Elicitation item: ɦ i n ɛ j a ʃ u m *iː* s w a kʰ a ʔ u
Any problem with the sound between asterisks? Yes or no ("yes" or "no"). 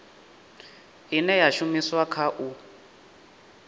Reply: yes